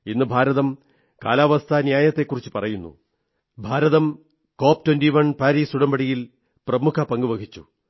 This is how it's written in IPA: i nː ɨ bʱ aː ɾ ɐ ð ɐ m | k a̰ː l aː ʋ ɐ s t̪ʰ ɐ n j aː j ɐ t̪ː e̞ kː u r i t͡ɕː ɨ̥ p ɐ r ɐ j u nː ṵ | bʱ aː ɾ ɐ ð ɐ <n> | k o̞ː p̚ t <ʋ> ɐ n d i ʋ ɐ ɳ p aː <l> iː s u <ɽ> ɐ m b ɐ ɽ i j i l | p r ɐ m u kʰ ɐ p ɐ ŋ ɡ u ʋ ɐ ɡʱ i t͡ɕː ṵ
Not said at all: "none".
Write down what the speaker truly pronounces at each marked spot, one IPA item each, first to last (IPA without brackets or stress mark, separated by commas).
m, w, ɾ, ɽ